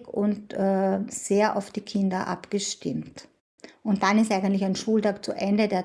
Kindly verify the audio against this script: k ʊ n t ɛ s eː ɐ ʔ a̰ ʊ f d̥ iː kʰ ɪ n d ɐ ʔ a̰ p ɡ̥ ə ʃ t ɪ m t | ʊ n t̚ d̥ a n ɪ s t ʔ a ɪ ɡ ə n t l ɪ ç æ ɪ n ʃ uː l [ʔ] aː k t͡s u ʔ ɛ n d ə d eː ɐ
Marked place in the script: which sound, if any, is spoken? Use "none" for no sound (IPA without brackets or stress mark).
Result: t